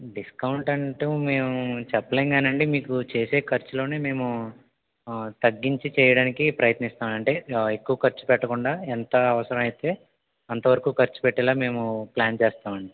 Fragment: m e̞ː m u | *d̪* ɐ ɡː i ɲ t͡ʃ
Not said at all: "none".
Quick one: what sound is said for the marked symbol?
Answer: t̪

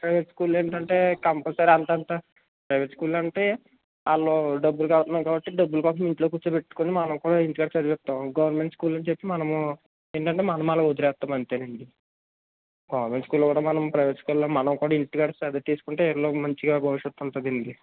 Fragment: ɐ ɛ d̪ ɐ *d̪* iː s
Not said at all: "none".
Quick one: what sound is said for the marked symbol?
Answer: t̪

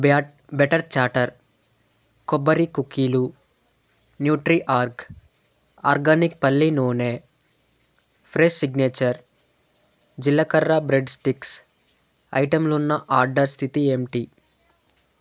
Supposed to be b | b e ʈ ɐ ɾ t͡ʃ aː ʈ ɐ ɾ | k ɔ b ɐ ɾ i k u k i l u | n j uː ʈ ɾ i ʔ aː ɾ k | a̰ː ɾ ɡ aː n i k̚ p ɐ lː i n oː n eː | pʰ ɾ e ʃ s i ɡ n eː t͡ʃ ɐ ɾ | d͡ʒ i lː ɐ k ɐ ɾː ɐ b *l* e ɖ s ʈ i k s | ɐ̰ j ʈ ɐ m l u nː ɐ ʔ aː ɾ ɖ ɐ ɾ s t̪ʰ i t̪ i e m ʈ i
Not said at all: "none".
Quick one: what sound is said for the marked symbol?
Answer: ɾ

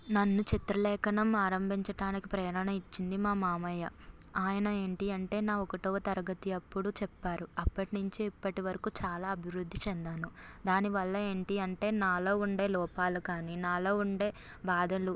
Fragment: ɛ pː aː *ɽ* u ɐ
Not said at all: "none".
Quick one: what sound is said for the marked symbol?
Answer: ɾ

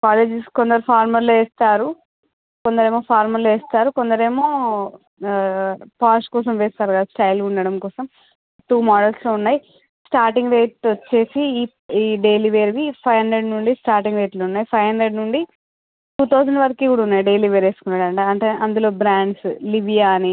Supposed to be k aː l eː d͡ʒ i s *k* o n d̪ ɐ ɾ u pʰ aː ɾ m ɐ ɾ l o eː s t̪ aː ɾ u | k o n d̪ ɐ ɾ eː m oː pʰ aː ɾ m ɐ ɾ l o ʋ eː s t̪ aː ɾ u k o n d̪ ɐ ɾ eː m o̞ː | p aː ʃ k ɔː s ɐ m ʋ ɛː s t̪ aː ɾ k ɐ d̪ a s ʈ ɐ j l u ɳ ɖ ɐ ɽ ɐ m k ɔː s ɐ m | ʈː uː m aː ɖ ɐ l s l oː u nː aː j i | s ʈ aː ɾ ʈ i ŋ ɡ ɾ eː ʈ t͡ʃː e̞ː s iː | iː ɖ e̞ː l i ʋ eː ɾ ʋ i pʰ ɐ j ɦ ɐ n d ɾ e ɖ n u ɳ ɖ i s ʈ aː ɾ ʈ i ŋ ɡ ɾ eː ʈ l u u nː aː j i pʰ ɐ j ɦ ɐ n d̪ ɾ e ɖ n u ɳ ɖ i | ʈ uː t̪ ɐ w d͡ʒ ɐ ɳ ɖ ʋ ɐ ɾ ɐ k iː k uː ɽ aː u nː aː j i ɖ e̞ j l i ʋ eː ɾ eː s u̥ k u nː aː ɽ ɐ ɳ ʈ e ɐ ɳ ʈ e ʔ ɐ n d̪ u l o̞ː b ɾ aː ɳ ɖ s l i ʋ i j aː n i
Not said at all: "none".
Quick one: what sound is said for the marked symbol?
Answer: k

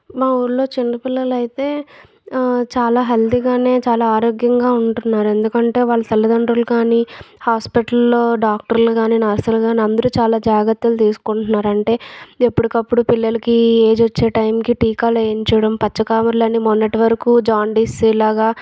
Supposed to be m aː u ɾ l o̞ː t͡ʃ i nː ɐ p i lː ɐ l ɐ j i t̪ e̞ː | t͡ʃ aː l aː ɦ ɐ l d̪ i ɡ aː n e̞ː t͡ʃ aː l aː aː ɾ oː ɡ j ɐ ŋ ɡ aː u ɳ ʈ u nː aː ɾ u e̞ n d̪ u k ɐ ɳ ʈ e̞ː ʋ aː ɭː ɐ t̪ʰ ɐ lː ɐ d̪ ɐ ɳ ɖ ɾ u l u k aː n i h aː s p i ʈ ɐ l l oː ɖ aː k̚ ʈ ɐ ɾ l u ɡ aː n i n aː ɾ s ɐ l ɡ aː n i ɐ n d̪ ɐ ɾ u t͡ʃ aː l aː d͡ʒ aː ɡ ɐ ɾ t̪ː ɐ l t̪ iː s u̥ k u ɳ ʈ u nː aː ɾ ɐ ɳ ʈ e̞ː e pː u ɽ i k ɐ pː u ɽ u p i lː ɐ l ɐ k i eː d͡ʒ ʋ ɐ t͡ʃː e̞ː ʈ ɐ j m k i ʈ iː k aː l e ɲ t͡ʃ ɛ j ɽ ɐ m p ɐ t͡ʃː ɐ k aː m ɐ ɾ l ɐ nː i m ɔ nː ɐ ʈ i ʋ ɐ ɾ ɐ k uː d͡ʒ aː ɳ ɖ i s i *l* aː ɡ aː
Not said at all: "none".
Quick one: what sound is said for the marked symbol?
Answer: l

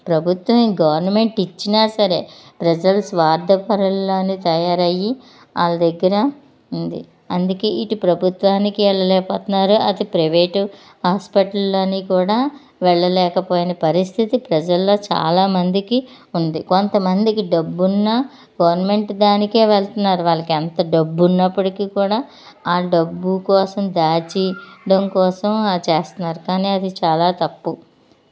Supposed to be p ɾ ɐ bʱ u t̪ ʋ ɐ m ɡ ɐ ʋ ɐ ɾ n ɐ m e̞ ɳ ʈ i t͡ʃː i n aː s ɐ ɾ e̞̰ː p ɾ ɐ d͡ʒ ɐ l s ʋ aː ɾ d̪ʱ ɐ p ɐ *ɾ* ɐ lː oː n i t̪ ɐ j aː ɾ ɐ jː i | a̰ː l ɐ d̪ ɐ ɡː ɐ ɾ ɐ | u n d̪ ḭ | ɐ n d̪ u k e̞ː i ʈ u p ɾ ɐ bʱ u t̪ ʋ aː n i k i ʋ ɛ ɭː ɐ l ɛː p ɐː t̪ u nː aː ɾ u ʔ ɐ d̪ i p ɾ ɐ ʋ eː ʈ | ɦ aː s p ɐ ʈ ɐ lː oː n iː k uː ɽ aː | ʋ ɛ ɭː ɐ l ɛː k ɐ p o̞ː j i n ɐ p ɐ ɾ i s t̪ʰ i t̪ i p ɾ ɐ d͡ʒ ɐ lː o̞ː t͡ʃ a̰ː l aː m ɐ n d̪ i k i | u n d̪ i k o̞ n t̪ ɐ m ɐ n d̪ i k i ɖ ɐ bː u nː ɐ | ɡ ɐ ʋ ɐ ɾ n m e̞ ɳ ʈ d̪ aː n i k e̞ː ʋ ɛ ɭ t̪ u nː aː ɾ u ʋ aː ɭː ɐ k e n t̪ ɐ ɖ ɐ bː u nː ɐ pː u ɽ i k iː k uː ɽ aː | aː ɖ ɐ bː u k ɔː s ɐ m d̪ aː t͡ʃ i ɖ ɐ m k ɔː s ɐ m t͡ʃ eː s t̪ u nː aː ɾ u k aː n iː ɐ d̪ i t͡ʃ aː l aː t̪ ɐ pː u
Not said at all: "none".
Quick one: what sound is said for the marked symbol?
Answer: ɾ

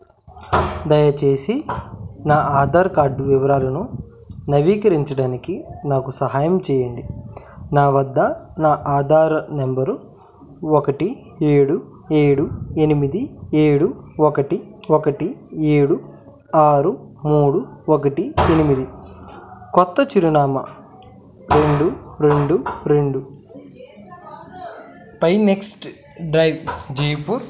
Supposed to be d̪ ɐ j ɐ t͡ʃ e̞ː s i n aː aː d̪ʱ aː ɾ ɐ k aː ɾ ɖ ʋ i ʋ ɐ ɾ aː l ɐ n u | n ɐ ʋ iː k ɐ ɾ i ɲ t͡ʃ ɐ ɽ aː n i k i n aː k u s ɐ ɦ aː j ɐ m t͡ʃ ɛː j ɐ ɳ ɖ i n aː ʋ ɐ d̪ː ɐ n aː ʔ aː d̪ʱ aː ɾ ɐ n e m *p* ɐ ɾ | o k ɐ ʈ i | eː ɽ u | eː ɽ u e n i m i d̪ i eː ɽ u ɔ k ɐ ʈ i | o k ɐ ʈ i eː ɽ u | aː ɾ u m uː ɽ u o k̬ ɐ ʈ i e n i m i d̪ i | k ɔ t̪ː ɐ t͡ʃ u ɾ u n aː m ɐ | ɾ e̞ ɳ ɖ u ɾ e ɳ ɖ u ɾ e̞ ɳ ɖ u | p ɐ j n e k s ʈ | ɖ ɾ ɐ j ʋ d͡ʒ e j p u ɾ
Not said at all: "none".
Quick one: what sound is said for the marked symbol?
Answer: b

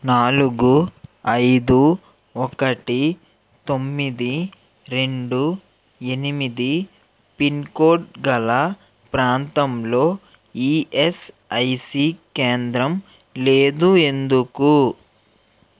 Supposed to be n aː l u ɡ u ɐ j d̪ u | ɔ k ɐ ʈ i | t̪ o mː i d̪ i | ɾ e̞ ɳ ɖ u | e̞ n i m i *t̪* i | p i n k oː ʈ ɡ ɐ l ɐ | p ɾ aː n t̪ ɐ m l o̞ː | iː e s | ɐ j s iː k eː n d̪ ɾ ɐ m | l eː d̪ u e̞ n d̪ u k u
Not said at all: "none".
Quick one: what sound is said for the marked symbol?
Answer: d̪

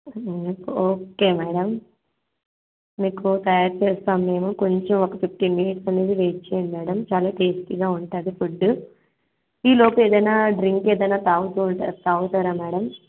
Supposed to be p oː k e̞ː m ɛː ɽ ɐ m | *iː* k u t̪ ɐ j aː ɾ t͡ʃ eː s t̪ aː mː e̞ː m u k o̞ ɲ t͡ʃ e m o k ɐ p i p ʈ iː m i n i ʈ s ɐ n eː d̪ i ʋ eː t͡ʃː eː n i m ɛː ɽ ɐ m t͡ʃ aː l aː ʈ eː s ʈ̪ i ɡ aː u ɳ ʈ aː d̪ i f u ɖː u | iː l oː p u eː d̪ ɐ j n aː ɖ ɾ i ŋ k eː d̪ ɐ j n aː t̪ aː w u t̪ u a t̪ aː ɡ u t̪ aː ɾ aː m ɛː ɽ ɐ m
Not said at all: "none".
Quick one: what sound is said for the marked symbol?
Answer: iː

